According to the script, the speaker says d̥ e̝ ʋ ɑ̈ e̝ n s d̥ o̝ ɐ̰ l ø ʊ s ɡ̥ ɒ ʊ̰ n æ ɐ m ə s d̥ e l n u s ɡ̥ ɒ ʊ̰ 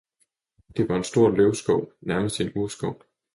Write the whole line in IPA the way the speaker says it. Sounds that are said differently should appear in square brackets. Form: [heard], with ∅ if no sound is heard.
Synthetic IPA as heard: d̥ e̝ ʋ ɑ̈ e̝ n s d̥ o̝ ɐ̰ l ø ʊ s ɡ̥ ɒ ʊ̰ n æ ɐ m ə s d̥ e [∅] n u s ɡ̥ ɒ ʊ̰